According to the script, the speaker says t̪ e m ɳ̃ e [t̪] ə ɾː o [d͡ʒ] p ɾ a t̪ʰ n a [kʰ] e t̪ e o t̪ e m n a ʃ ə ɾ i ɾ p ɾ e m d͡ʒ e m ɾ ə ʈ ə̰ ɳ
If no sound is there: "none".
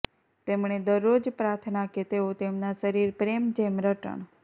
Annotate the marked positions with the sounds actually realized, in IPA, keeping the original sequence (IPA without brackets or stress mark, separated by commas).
d̪, d͡ʒ, k